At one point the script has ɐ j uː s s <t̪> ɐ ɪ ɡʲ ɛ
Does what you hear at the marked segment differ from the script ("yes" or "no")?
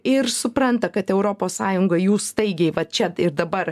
no